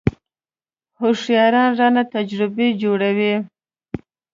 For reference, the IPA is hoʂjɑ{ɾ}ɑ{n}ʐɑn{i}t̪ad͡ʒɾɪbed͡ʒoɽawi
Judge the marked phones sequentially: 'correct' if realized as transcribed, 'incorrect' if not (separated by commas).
correct, correct, incorrect